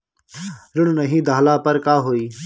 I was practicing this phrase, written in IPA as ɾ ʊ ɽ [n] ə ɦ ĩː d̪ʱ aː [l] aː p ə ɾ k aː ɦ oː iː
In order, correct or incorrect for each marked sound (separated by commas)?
correct, correct